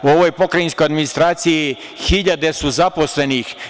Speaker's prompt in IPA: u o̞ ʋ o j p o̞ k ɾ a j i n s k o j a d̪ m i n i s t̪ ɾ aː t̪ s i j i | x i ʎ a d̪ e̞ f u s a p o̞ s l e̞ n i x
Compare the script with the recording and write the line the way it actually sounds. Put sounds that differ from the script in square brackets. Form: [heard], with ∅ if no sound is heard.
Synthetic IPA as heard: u o̞ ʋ o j p o̞ k ɾ a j i n s k o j a d̪ m i n i s t̪ ɾ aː t̪ s i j i | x i ʎ a d̪ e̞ [s] u [z] a p o̞ s l e̞ n i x